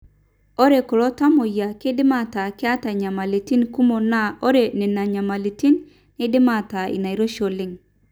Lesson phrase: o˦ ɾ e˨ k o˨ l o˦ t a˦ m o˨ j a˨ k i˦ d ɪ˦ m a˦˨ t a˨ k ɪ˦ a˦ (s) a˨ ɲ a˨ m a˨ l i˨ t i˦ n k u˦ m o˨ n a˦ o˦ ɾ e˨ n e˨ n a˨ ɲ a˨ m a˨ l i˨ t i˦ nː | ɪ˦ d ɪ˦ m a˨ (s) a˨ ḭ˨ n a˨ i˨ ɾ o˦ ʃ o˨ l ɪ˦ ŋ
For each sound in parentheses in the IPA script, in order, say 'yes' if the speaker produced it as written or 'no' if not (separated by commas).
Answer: no, no